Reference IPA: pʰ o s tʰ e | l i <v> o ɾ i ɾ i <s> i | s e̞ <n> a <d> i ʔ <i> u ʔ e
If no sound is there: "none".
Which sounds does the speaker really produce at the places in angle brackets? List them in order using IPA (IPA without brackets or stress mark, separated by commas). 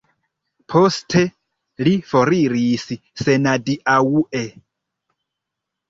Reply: f, s, n, d, a